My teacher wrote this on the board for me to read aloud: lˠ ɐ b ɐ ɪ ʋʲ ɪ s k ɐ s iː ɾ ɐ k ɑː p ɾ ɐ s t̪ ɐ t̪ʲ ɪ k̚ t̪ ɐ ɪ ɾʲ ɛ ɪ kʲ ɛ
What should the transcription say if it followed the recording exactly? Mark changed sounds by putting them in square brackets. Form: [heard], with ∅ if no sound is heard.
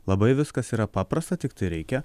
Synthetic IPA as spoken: lˠ ɐ b ɐ ɪ ʋʲ ɪ s k ɐ s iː ɾ ɐ [p] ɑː p ɾ ɐ s t̪ ɐ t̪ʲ ɪ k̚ t̪ ɐ ɪ ɾʲ ɛ ɪ kʲ ɛ